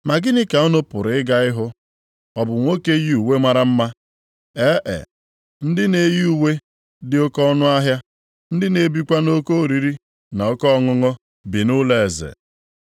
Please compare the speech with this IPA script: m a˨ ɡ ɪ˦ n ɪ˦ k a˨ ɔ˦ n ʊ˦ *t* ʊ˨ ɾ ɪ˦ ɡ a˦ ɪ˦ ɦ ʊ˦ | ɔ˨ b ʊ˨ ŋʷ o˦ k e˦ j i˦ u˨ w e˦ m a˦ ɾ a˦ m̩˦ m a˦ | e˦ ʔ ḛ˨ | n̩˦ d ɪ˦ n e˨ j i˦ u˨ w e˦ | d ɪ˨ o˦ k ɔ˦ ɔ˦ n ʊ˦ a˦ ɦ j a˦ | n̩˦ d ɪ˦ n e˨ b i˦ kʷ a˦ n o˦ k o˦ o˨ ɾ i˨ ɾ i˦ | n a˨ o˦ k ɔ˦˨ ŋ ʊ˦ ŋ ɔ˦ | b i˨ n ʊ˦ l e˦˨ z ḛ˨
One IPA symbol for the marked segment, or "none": p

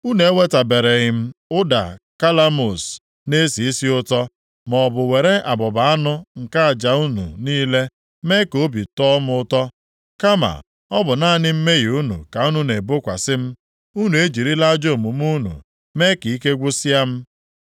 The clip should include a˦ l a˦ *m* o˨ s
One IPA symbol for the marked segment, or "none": m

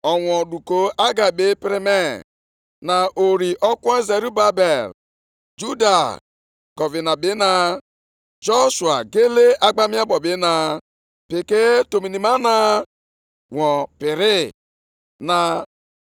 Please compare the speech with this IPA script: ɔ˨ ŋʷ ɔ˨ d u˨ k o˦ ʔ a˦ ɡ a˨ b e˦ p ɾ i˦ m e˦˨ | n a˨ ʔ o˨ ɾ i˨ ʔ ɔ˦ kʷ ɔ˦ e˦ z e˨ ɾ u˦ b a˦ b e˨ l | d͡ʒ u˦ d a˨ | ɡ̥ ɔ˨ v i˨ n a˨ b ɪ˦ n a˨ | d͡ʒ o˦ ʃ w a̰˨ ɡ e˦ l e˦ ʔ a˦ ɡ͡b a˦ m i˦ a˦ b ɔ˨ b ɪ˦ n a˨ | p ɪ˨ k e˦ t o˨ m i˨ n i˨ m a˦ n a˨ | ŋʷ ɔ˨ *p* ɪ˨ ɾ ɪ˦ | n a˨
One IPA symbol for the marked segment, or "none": p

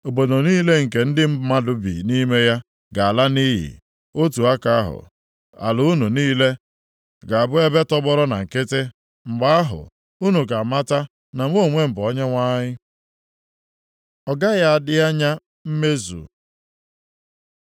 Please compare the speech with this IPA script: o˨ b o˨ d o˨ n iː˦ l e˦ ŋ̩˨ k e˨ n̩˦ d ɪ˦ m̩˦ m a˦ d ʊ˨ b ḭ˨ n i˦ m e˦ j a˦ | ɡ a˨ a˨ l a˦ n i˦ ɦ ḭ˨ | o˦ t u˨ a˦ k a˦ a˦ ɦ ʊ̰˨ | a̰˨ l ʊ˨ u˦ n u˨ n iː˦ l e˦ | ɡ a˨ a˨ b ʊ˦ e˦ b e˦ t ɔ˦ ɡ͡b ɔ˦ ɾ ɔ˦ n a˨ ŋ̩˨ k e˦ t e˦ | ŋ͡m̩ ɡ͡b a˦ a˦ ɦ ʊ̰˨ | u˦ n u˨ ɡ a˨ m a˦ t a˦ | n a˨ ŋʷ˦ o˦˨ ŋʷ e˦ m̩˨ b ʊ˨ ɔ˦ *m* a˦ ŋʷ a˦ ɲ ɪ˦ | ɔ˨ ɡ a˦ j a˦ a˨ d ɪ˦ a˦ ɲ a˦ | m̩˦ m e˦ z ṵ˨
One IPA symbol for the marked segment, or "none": ɲ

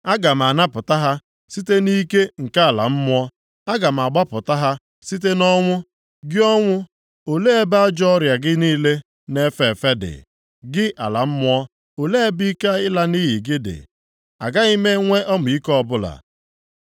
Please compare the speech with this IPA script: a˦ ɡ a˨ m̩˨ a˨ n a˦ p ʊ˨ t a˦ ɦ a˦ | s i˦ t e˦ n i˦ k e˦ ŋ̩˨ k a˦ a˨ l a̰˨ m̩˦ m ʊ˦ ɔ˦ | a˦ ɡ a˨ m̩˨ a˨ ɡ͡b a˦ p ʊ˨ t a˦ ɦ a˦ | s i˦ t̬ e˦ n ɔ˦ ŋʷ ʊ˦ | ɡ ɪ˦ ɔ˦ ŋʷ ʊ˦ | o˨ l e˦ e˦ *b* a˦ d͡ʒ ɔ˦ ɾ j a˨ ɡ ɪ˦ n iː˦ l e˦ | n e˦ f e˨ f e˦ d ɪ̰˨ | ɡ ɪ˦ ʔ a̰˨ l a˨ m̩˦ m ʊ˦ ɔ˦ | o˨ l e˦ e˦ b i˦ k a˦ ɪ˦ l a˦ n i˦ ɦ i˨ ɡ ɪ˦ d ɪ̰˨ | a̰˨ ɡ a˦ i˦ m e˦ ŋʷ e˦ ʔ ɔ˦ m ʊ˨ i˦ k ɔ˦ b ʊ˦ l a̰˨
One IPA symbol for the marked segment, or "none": b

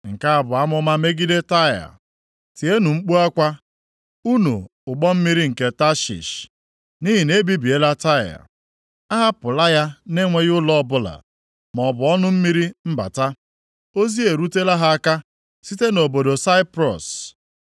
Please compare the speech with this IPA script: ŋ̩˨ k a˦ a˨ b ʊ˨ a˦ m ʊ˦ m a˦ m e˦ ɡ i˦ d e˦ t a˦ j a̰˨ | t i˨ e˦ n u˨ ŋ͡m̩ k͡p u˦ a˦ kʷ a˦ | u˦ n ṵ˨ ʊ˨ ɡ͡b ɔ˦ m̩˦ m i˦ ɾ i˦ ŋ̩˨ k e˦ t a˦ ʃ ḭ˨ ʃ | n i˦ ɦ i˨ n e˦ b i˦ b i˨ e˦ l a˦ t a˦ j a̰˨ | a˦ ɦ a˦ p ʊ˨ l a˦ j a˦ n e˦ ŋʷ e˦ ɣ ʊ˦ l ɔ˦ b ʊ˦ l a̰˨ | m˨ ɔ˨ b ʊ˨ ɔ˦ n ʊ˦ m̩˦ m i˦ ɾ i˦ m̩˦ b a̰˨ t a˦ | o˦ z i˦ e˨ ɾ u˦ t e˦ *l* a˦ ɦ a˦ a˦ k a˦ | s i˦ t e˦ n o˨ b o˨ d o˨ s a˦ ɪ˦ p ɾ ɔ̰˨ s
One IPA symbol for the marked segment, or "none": l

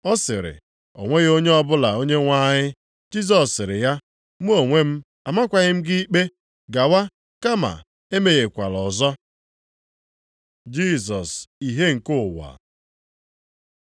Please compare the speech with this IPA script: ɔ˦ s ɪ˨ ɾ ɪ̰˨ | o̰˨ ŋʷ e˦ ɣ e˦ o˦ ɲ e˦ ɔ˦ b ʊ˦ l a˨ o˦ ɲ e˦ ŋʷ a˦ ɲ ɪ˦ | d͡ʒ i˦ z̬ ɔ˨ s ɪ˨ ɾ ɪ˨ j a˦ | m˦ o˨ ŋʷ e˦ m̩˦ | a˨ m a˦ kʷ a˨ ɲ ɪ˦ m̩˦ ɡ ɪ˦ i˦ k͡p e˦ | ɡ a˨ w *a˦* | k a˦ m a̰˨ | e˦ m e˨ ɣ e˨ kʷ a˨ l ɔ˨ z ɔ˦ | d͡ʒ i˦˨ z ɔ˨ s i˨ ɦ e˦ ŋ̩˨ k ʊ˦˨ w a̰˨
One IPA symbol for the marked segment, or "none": a˦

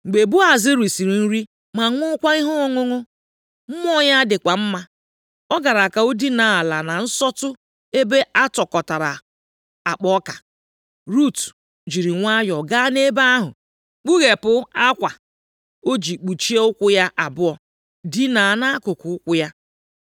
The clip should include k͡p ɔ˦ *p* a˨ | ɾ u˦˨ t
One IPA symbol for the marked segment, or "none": k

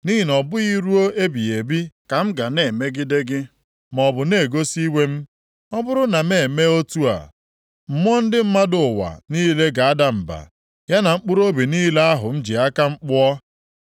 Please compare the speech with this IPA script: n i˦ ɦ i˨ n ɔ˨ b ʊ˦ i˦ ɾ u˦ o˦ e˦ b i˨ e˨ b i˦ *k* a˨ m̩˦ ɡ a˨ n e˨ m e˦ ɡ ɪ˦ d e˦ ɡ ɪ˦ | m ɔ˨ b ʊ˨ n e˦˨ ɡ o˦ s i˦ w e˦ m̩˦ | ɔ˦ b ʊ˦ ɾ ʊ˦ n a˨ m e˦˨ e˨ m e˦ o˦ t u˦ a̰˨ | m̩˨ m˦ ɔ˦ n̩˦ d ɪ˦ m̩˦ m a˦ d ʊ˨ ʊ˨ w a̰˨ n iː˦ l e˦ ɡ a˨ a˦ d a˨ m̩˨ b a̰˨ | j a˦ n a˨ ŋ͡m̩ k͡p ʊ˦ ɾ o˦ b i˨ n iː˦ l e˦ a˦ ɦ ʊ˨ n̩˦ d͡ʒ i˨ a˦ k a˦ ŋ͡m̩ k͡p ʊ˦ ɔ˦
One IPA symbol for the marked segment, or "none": k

